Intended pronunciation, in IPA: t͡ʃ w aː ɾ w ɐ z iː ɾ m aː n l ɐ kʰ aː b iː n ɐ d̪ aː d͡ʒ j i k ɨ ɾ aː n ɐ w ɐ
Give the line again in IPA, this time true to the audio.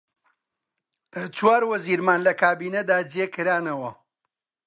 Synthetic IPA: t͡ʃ w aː ɾ w ɐ z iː ɾ m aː n l ɐ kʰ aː b iː n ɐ d̪ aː d͡ʒ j e k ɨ ɾ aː n ɐ w ɐ

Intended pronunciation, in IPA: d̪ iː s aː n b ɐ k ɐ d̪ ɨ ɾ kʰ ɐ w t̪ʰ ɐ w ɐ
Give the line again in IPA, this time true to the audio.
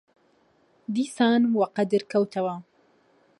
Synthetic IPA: d̪ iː s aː n w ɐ q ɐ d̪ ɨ ɾ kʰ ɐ w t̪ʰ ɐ w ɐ

